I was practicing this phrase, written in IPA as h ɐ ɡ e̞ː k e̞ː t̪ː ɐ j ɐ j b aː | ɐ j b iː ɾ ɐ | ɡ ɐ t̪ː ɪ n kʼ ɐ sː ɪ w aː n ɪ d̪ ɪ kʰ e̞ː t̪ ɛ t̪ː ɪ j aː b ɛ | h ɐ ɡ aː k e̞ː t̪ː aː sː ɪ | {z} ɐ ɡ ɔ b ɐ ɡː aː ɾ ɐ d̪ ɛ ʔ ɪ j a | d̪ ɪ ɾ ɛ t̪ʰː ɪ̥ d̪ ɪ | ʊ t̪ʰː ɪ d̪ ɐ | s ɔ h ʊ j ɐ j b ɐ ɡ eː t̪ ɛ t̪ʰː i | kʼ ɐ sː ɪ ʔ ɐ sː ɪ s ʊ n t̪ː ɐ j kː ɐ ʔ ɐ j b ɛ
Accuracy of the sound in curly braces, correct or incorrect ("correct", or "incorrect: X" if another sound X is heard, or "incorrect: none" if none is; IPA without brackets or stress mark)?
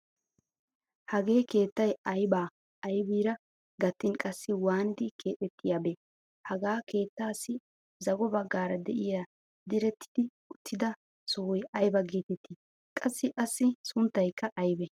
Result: correct